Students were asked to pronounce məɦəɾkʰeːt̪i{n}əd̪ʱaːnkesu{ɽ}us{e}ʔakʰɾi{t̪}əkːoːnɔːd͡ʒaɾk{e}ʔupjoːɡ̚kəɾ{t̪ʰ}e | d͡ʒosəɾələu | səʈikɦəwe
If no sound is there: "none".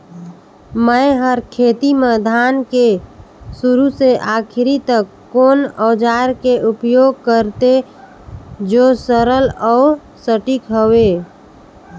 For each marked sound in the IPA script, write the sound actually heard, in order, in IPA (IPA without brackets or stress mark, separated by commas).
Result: m, ɾ, e, t̪, e, t̪